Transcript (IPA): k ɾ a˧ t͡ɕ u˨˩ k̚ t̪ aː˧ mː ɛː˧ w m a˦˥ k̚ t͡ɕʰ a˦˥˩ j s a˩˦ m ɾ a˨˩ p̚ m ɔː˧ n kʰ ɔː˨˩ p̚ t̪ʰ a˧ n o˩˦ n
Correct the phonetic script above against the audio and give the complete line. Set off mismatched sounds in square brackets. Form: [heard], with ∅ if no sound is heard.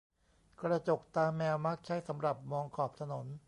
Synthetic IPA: k ɾ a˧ t͡ɕ [o˨˩] k̚ t̪ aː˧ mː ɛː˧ w m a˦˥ k̚ t͡ɕʰ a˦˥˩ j s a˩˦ m ɾ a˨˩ p̚ m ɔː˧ [ŋ] kʰ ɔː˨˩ p̚ t̪ʰ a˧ n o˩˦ n